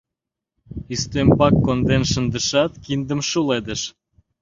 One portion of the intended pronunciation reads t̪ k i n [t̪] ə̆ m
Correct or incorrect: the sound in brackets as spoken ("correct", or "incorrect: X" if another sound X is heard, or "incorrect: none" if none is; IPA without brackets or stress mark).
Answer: incorrect: d̪